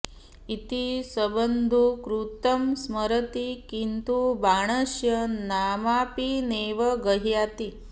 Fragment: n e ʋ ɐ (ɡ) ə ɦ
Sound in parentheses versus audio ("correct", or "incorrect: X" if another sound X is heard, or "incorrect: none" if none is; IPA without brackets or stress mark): correct